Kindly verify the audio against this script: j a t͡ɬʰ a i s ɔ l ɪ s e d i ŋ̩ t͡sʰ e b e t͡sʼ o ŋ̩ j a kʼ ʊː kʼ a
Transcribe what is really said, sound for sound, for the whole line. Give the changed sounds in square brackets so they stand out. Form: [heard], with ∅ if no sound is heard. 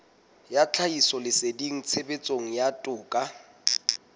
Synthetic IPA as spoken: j a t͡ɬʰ a i s ɔ l ɪ s e d i ŋ̩ t͡sʰ e b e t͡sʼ o ŋ̩ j a [tʼ] ʊː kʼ a